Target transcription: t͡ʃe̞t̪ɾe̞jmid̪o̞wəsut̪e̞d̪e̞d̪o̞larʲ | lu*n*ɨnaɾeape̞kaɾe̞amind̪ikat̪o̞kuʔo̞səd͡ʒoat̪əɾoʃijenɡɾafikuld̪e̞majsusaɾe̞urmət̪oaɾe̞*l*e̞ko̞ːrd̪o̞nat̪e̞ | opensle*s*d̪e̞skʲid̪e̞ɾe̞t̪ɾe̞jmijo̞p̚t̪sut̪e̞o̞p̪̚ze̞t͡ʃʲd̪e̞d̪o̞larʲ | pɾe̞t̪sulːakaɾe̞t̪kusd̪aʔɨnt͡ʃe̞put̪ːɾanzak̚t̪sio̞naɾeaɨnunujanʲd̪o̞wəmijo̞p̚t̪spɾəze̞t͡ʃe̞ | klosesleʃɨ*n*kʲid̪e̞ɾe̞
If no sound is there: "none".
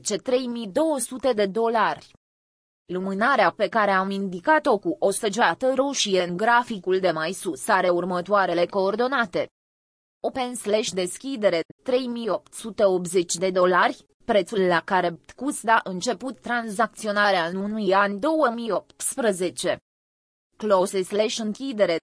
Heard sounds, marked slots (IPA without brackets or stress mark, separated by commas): m, l, ʃ, ŋ